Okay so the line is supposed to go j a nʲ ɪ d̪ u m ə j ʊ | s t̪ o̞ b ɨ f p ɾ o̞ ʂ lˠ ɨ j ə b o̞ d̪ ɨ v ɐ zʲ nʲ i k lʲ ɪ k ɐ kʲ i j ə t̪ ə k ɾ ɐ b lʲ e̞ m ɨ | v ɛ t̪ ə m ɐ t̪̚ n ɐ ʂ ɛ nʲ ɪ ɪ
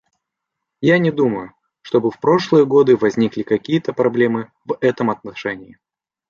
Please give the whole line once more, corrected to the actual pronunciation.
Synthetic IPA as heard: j a nʲ ɪ d̪ u m ə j ʊ | ʂ t̪ o̞ b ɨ f p ɾ o̞ ʂ lˠ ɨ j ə ɡ o̞ d̪ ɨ v ɐ zʲ nʲ i k lʲ ɪ k ɐ kʲ i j ə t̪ ə p ɾ ɐ b lʲ e̞ m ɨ | v ɛ t̪ ə m ɐ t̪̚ n ɐ ʂ ɛ nʲ ɪ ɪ